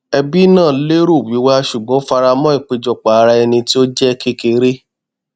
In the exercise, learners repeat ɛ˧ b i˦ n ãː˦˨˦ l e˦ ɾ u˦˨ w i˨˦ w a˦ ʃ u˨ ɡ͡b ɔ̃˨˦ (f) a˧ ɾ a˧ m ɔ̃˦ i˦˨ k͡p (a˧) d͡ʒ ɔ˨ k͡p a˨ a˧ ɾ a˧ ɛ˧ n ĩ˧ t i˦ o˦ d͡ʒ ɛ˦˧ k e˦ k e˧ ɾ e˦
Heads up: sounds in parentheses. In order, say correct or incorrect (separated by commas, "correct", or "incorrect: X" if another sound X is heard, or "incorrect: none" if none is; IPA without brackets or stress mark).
correct, incorrect: e˧